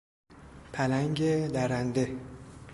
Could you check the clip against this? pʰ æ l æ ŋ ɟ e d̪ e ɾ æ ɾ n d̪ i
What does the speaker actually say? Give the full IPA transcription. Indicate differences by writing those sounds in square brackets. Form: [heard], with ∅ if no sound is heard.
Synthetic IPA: pʰ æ l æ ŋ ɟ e d̪ [æ] ɾ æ [∅] n d̪ [e]